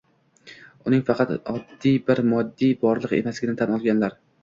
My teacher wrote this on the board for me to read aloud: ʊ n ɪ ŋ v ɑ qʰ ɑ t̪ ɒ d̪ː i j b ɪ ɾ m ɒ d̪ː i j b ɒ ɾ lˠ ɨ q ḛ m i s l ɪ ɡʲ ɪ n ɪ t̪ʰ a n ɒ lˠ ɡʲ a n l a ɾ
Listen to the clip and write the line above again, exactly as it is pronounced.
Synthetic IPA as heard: ʊ n ɪ ŋ f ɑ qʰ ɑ t̪ ɒ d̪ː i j b ɪ ɾ m ɒ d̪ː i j b ɒ ɾ lˠ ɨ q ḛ m a s l ɪ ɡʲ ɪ n ɪ t̪ʰ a n ɒ lˠ ɡʲ a n l a ɾ